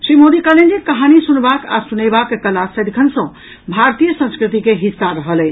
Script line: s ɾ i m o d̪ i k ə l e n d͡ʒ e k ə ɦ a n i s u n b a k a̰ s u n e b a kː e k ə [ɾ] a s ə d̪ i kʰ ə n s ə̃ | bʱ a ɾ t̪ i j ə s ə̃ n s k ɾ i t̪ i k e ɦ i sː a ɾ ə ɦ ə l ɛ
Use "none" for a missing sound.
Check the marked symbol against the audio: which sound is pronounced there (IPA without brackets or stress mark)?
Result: l